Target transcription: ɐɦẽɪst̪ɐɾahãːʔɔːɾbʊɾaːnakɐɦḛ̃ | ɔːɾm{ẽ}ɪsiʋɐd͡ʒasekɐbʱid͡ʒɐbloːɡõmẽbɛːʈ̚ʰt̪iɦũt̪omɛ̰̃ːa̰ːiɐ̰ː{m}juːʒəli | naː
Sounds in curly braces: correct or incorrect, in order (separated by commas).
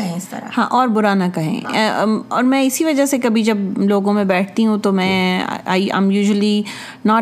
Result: incorrect, correct